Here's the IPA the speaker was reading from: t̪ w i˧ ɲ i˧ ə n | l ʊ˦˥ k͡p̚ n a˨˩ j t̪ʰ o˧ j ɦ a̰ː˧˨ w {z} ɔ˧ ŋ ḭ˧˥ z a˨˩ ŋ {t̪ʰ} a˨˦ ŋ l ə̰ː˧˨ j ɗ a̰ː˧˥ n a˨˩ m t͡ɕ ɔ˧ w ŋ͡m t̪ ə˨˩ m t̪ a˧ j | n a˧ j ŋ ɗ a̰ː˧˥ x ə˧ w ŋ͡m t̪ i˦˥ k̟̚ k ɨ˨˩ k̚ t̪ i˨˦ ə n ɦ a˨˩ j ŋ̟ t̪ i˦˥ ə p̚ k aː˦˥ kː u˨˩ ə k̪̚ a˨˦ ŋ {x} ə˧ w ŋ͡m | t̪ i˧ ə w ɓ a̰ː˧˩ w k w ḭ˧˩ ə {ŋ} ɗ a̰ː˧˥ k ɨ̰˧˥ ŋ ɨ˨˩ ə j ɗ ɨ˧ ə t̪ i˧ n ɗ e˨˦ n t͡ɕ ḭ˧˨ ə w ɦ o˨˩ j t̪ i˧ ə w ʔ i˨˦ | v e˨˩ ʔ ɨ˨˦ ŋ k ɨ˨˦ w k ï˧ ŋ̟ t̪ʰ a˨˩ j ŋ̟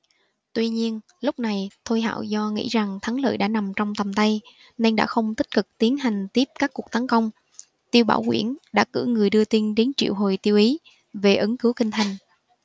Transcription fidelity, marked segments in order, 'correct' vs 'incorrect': correct, correct, incorrect: k, incorrect: n

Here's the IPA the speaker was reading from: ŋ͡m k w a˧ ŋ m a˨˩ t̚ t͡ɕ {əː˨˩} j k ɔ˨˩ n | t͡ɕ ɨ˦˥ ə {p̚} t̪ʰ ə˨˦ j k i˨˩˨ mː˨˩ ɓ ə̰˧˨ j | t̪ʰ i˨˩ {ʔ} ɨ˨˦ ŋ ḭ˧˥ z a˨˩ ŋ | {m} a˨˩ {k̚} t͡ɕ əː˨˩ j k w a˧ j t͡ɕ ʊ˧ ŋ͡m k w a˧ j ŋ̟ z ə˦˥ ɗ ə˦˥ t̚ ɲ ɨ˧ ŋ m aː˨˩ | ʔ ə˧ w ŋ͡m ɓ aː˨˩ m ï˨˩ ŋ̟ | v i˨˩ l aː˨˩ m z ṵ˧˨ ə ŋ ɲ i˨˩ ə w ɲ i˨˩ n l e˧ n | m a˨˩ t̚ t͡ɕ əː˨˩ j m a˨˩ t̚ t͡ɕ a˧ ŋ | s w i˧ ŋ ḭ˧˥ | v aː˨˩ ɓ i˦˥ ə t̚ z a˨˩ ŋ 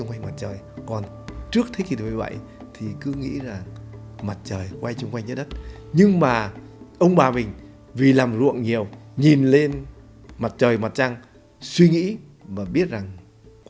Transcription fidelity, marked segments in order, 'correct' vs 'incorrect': correct, incorrect: k̚, incorrect: k, correct, incorrect: t̚

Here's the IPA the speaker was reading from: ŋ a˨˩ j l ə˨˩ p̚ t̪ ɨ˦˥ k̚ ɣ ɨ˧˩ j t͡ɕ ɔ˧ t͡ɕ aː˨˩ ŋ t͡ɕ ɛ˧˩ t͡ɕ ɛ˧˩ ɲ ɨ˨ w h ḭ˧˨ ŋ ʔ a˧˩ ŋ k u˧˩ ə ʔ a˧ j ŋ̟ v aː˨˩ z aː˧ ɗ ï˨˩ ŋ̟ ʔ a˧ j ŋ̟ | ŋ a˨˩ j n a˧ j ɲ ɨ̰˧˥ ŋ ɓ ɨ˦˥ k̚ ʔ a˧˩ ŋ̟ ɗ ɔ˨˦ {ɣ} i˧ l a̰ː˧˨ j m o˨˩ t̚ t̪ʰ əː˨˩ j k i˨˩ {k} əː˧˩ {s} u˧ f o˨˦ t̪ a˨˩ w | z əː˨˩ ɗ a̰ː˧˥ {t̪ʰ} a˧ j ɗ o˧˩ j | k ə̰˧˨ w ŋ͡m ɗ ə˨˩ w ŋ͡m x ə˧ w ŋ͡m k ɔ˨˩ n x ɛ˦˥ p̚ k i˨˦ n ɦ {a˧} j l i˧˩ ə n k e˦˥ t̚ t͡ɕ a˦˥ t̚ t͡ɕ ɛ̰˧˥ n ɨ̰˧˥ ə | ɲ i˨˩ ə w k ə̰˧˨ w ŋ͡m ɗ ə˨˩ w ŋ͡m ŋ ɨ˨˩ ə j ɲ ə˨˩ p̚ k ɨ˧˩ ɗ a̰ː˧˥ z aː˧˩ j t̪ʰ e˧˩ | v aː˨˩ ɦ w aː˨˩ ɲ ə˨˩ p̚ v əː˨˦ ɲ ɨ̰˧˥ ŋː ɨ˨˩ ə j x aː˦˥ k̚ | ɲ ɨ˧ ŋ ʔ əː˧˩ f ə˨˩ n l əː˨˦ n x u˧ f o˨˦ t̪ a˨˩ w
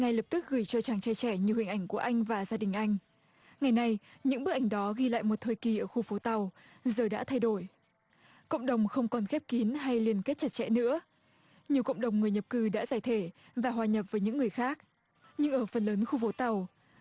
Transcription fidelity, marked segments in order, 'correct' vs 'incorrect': correct, incorrect: ʔ, incorrect: x, correct, correct

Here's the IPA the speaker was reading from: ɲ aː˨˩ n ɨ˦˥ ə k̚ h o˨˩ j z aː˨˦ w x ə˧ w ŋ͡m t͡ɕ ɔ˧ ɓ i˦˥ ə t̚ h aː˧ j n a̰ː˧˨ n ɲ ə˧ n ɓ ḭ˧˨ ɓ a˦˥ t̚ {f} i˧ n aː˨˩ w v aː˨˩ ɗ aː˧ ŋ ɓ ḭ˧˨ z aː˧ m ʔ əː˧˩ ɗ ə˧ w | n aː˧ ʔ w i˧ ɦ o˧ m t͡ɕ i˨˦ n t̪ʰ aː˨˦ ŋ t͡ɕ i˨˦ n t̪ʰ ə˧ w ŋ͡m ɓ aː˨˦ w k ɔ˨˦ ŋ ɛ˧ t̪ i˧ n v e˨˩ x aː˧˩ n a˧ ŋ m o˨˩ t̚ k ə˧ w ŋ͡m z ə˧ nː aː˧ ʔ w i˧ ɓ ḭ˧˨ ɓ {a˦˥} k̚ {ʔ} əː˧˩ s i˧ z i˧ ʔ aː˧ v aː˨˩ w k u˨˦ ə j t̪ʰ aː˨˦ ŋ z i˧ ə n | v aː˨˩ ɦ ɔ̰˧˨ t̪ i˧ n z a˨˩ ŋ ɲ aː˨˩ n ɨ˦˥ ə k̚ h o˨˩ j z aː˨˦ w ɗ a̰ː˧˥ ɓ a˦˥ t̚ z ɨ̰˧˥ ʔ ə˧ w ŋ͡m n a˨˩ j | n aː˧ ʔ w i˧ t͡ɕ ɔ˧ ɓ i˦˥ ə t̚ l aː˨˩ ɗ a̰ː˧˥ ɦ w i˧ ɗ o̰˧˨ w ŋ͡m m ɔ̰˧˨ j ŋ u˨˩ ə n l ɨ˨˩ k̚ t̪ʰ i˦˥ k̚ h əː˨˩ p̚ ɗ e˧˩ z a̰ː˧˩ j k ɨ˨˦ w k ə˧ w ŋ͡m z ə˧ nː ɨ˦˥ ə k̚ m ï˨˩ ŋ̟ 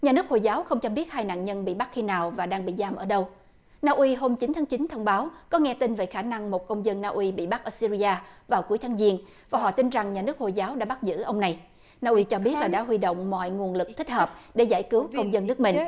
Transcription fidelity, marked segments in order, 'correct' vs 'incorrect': incorrect: x, correct, correct

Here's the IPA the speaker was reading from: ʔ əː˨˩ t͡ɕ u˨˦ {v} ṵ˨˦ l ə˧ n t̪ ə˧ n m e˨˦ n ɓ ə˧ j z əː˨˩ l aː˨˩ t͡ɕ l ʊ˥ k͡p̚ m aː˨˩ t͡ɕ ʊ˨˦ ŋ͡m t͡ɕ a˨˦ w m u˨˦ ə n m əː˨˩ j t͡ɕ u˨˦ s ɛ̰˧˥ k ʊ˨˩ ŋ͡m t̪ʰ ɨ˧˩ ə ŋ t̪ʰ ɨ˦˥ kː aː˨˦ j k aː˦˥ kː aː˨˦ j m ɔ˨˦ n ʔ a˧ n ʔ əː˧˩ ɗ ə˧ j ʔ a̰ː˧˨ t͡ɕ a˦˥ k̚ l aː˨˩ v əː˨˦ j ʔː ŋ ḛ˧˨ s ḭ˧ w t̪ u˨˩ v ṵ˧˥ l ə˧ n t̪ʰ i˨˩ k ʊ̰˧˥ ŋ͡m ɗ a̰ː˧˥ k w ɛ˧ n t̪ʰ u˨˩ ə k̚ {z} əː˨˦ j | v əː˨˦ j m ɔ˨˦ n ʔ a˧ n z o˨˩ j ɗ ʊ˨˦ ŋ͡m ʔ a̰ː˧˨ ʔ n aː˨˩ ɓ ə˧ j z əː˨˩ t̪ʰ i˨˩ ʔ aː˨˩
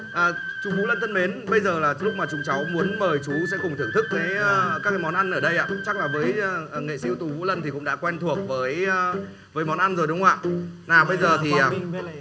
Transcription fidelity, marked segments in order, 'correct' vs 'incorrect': correct, incorrect: v

